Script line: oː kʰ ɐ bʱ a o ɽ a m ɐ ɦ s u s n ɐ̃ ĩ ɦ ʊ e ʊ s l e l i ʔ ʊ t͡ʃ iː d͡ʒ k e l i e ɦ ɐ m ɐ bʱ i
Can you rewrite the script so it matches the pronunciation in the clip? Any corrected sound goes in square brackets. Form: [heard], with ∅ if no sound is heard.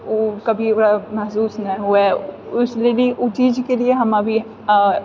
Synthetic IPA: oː [k] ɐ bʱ [i] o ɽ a m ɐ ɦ s [uː] s n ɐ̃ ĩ ɦ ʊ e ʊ s l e l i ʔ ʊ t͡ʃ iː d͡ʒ k e l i e ɦ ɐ m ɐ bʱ i